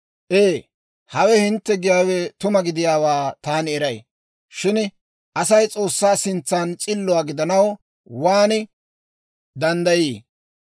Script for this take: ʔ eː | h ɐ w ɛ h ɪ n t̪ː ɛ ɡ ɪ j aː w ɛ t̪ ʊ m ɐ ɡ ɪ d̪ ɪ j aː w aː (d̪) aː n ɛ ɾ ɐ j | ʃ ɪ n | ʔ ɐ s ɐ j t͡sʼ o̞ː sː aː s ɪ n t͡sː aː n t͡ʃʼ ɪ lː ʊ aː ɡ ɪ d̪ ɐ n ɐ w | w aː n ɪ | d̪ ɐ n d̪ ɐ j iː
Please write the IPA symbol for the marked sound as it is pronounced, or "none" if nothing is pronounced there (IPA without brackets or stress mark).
t̪